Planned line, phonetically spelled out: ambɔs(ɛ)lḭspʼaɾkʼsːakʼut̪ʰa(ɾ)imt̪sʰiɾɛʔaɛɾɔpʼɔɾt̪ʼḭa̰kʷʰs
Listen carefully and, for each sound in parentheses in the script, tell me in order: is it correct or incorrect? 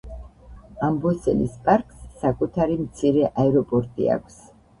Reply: correct, correct

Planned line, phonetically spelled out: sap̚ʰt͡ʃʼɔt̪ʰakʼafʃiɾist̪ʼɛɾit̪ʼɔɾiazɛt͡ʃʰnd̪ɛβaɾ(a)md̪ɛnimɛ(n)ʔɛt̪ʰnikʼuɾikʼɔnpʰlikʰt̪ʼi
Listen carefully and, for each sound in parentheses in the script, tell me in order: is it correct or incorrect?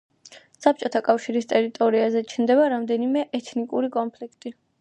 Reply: correct, incorrect

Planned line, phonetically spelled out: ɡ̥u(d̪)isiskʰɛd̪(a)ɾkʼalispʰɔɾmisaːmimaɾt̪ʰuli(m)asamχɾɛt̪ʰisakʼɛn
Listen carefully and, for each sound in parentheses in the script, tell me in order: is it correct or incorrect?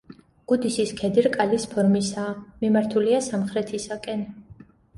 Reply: correct, incorrect, incorrect

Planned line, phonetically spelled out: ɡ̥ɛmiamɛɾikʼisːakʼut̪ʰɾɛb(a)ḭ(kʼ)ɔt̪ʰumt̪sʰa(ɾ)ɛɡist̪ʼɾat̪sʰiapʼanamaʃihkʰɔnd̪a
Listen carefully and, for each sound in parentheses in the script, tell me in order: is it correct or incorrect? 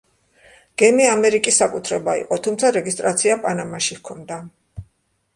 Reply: correct, incorrect, correct

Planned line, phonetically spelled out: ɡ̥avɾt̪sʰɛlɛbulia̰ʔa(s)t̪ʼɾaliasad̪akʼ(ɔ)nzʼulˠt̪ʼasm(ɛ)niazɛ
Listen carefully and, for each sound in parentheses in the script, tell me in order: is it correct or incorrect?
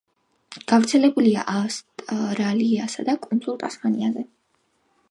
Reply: correct, incorrect, incorrect

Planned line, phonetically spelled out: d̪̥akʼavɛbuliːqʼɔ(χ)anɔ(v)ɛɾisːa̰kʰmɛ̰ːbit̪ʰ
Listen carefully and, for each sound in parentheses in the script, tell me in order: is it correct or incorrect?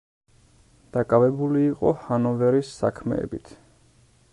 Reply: incorrect, correct

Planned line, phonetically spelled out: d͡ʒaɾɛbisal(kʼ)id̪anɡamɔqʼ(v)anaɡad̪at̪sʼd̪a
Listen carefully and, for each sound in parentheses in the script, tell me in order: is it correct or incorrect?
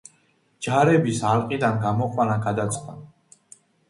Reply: incorrect, incorrect

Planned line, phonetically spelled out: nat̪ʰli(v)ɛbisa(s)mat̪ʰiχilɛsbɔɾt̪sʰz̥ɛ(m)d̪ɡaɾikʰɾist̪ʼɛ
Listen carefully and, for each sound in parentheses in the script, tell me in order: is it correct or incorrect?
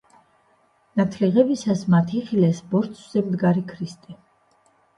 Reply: incorrect, correct, correct

